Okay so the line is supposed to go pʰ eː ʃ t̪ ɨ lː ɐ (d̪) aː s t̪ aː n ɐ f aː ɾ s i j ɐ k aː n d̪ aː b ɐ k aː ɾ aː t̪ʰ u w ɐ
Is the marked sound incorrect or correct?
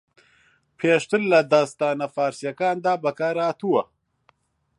correct